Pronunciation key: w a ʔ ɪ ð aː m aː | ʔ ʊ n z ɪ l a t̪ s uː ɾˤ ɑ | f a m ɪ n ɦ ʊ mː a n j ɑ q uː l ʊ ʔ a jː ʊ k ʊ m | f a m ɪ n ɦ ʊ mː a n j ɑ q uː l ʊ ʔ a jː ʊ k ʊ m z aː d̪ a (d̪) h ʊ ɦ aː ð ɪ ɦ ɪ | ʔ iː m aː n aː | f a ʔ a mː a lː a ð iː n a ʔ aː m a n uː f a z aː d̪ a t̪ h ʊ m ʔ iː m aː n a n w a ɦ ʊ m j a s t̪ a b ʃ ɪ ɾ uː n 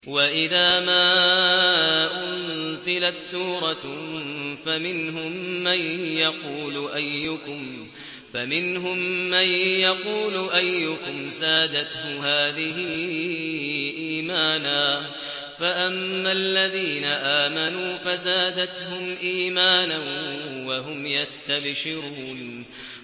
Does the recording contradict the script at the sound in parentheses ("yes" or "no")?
yes